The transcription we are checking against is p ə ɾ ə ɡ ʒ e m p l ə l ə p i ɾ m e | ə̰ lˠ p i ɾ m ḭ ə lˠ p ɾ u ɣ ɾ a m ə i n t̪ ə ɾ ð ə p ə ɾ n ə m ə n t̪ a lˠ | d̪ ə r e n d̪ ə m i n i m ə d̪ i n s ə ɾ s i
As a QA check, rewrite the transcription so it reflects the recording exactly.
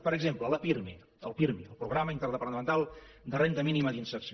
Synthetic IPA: p ə ɾ ə ɡ z e m p l ə l ə p i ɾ m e | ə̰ lˠ p i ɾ m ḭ ə lˠ p ɾ u ɣ ɾ a m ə i n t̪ ə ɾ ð ə p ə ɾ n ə m ə n t̪ a lˠ | d̪ ə r e n t̪ ə m i n i m ə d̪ i n s ə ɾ s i